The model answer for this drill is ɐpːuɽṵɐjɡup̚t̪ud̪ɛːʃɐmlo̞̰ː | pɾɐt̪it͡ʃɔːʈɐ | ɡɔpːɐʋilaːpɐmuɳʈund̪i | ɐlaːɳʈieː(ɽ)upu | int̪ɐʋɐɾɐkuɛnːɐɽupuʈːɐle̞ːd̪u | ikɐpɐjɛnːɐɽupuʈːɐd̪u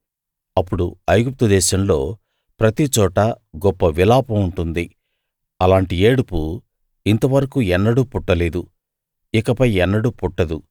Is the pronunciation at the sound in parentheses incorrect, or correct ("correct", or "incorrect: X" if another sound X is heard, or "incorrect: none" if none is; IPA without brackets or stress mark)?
correct